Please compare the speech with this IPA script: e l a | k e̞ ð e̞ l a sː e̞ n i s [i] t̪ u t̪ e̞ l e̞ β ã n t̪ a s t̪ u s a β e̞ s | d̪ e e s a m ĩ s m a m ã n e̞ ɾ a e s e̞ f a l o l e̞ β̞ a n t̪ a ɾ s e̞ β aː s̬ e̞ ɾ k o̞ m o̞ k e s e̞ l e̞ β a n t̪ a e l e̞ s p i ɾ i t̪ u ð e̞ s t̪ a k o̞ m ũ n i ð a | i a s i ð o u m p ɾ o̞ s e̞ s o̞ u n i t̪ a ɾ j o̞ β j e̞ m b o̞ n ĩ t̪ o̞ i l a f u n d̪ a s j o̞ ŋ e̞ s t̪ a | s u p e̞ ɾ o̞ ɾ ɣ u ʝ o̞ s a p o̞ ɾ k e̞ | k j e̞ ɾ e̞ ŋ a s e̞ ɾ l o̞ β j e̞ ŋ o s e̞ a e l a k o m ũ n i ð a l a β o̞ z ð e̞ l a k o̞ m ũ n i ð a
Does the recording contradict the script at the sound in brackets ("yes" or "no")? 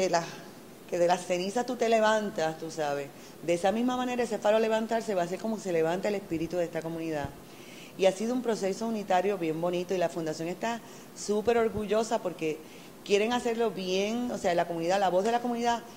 yes